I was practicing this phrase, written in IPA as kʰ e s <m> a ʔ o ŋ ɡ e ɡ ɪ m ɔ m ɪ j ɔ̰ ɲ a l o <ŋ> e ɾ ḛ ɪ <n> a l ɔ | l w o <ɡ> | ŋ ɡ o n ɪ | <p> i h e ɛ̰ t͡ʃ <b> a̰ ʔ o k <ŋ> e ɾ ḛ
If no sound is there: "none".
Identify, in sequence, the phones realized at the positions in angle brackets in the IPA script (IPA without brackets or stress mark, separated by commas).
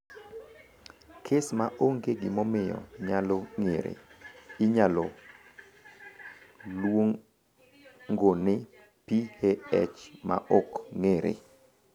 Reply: m, ŋ, ɲ, ŋ, p, m, ŋ